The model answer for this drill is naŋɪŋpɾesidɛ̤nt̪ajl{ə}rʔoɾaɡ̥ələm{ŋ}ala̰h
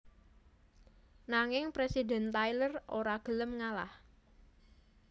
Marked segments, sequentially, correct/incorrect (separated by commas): correct, correct